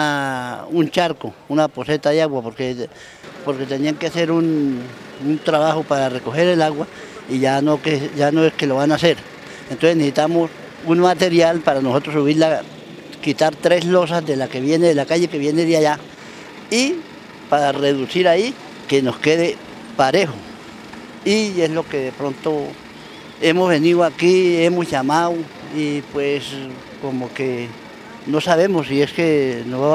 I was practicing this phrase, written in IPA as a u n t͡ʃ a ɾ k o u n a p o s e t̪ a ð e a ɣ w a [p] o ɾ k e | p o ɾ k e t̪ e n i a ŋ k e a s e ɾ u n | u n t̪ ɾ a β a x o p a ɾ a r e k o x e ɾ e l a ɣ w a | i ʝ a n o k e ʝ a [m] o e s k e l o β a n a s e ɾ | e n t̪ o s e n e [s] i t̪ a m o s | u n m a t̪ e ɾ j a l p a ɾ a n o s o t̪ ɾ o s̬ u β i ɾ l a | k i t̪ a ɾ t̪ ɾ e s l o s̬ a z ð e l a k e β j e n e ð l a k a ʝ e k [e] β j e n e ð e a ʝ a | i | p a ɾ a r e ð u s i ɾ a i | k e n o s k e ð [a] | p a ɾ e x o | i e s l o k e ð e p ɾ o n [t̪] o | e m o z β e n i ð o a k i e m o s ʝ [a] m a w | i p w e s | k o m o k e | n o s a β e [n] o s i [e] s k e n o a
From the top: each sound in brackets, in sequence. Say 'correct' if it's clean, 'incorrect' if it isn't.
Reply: correct, incorrect: n, correct, correct, incorrect: e, correct, correct, incorrect: m, correct

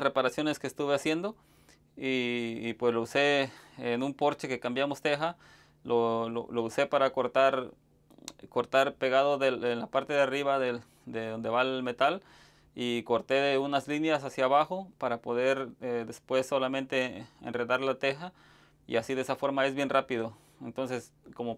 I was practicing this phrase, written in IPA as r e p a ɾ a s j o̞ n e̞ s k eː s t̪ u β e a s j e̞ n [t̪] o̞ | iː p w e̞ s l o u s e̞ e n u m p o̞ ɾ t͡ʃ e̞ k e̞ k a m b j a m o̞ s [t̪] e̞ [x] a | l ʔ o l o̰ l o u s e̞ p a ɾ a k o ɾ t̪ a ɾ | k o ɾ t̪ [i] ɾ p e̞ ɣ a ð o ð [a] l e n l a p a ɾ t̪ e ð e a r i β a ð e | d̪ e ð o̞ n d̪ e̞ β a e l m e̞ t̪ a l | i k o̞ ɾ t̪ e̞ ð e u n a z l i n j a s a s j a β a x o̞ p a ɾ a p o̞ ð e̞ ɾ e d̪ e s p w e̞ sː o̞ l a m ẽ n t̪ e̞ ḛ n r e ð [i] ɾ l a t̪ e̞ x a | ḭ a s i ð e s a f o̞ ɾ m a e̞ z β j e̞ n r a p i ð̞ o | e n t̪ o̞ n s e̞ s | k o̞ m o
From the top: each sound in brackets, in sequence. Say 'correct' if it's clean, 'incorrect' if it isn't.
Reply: incorrect: d̪, correct, correct, incorrect: a, incorrect: e, incorrect: a

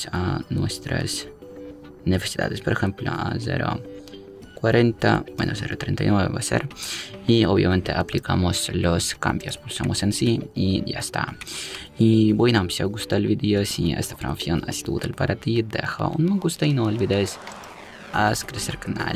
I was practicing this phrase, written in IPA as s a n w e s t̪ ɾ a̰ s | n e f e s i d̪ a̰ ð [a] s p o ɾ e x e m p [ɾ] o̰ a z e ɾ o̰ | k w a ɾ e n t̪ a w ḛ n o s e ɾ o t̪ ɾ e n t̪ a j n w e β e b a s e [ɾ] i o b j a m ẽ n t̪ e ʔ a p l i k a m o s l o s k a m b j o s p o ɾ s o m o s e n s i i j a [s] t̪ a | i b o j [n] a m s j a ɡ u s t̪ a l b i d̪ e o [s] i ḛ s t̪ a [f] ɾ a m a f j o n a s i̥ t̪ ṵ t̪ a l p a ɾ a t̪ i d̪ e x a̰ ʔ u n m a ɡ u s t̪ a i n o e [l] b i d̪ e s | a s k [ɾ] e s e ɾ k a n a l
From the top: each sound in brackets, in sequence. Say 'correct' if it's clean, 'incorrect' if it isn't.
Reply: incorrect: e, incorrect: l, correct, correct, correct, correct, correct, correct, correct

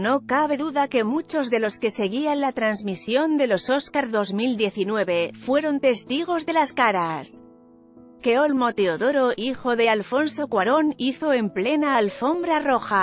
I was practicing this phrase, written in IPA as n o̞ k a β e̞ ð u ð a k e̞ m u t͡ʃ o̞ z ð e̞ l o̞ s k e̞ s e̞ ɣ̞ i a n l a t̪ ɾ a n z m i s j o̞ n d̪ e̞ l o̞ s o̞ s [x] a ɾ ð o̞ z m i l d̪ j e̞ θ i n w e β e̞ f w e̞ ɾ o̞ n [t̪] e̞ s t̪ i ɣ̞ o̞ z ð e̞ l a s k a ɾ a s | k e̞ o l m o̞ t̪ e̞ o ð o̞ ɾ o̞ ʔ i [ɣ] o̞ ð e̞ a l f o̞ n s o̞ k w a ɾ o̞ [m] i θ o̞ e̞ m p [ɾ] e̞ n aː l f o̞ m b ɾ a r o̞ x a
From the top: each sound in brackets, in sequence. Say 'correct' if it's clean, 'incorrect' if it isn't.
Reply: incorrect: k, correct, incorrect: x, incorrect: n, incorrect: l

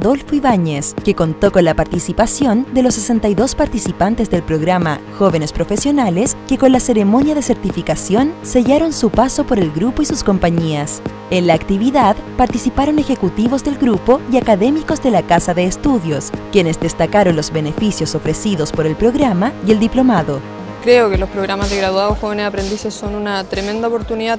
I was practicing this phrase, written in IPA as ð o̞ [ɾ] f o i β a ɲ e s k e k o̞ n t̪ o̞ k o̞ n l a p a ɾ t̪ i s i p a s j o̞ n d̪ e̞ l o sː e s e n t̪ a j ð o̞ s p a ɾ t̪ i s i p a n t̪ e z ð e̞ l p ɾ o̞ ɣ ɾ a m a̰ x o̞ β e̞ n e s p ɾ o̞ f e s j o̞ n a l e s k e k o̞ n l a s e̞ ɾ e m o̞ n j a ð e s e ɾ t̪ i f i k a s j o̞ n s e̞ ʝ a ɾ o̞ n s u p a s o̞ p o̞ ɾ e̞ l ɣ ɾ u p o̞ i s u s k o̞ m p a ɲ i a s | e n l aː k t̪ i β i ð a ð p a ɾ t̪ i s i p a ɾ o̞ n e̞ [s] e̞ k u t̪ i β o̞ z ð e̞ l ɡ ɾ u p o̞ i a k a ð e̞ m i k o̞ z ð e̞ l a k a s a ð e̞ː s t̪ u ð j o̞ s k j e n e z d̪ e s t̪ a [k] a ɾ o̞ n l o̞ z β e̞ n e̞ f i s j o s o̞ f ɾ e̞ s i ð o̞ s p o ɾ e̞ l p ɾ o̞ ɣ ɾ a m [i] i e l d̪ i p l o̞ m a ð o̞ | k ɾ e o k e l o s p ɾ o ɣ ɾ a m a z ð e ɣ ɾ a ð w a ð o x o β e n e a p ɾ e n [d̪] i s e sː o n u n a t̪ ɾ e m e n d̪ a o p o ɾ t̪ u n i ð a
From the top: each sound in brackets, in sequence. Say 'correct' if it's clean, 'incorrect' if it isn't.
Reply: incorrect: l, incorrect: x, correct, incorrect: a, correct

